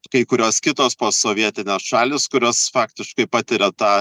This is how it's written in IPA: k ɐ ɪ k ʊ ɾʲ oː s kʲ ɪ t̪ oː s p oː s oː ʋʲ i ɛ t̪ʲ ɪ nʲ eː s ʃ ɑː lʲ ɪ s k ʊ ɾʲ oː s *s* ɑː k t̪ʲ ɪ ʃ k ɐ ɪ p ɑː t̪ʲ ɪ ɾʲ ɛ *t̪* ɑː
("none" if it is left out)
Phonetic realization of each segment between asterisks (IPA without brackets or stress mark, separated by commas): f, t̪